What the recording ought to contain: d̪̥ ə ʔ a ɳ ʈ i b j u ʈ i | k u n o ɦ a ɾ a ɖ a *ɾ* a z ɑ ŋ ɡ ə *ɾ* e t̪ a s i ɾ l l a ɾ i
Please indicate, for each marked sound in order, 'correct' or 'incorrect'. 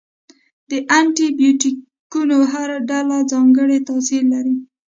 incorrect, incorrect

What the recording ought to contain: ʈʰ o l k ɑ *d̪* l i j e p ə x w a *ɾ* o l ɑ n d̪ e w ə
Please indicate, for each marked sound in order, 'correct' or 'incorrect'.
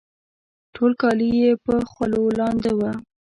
incorrect, incorrect

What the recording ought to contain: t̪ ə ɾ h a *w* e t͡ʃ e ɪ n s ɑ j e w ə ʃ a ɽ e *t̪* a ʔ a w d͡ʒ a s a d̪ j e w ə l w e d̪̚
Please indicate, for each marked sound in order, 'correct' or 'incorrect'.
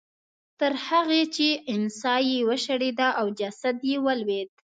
incorrect, incorrect

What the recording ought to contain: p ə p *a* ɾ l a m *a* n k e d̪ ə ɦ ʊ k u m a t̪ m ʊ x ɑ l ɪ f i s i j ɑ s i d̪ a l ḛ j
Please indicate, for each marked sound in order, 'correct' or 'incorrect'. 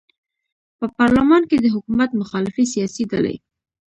incorrect, incorrect

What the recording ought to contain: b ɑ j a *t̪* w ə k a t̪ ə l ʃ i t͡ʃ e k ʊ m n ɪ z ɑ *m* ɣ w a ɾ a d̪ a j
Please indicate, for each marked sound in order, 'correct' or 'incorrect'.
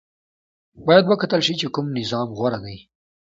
incorrect, correct

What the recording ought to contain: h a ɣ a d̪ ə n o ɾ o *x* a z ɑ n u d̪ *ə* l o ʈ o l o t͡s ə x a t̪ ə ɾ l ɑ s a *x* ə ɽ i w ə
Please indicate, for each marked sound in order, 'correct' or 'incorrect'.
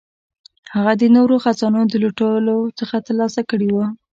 correct, correct, incorrect

